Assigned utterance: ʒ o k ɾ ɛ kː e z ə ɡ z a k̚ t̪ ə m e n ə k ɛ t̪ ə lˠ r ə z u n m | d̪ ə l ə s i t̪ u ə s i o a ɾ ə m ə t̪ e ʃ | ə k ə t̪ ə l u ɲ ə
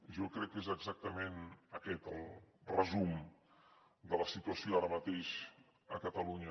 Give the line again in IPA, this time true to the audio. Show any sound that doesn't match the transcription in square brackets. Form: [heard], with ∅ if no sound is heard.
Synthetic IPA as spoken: ʒ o k ɾ ɛ kː e z ə ɡ z a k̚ t̪ ə m e n ə k ɛ t̪ ə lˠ r ə z u [∅] m | d̪ ə l ə s i t̪ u ə s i o a ɾ ə m ə t̪ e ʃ | ə k ə t̪ ə l u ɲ ə